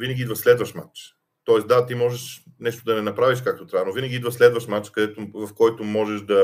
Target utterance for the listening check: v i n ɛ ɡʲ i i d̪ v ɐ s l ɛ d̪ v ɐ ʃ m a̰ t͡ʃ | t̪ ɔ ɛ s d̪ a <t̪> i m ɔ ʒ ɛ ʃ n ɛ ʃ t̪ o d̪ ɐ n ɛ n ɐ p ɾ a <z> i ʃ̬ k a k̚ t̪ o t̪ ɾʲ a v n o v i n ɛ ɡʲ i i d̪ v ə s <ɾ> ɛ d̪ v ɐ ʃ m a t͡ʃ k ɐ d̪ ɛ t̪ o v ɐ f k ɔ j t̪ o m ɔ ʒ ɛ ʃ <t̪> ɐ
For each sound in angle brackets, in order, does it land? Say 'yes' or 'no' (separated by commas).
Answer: yes, no, no, no